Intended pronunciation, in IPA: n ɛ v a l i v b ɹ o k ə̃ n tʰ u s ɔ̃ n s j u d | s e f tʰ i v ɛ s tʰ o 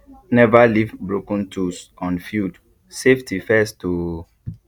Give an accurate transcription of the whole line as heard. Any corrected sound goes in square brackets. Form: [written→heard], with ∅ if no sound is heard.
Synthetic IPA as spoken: n ɛ v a l i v b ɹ o k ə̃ n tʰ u s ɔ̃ n [s→f] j u d | s e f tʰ i [v→f] ɛ s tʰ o

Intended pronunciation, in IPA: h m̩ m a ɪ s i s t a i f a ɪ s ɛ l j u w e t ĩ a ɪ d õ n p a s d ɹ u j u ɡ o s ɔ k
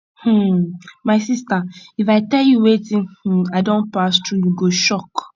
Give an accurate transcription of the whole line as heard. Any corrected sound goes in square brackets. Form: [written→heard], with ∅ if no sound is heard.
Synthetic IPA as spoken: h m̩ m a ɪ s i s t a i f a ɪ [s→t] ɛ l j u w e t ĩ a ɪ d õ n p a s [d→t] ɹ u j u ɡ o [s→ʃ] ɔ k

